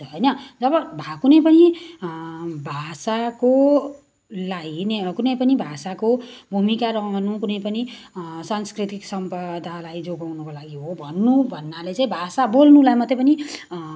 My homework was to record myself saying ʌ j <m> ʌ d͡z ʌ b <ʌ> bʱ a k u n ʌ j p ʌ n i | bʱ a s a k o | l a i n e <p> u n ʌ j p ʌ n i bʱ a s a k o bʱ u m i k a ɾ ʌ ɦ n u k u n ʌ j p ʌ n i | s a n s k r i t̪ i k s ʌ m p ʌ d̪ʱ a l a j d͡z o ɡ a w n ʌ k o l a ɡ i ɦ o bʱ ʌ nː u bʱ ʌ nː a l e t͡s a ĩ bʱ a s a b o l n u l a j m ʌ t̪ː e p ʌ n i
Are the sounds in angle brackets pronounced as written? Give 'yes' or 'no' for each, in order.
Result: no, yes, no

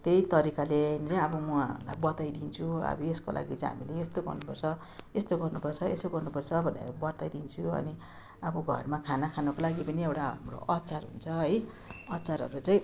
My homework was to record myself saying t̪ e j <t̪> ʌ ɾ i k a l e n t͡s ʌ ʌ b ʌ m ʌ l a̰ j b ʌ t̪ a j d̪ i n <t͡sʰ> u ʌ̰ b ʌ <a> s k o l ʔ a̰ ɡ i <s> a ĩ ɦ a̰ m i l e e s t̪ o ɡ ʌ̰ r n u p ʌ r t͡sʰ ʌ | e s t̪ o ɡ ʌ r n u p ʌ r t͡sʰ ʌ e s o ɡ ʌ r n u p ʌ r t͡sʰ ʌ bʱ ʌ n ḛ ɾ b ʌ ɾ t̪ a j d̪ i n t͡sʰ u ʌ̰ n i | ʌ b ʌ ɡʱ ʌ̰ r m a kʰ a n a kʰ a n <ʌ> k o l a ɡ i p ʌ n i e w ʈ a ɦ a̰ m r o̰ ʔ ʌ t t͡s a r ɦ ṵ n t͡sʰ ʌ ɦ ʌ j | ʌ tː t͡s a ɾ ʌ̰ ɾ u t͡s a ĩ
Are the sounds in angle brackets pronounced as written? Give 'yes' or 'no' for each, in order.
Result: yes, yes, no, no, yes

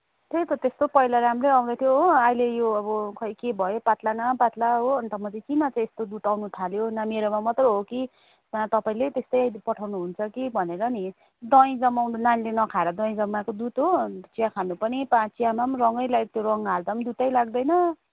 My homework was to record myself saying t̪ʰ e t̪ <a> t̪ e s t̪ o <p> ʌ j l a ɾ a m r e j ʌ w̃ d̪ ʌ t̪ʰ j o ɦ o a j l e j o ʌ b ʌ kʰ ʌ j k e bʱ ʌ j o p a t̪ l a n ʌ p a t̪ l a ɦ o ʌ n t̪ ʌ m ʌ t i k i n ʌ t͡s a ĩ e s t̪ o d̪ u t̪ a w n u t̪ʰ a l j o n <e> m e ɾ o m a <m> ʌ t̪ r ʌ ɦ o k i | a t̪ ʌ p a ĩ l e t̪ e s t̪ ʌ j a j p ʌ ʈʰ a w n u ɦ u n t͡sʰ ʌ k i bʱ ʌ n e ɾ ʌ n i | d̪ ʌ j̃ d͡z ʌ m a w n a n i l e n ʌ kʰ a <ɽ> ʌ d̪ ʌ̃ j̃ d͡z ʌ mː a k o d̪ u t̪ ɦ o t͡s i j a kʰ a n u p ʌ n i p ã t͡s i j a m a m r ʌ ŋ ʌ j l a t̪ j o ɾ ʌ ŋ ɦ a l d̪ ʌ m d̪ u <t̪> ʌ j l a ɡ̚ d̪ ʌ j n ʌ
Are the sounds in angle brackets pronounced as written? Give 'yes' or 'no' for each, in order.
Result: no, yes, no, yes, no, yes

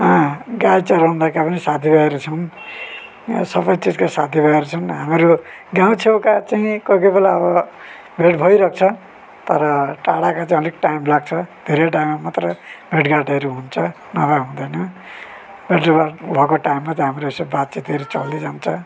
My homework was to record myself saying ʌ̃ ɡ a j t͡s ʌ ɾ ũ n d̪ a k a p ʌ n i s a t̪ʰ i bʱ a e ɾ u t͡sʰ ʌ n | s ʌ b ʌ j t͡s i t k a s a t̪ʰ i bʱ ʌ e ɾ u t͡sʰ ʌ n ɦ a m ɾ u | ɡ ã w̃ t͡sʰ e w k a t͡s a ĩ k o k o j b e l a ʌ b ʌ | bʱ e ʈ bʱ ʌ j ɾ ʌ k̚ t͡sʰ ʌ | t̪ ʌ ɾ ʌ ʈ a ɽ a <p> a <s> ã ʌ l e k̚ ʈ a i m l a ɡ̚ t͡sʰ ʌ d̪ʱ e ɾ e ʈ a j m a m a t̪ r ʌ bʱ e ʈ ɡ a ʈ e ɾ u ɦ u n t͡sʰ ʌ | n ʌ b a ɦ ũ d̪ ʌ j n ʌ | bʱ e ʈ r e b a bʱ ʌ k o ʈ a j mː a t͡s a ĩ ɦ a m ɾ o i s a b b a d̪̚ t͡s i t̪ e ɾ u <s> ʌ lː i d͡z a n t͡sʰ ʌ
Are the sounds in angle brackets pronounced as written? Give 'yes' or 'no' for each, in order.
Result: no, no, no

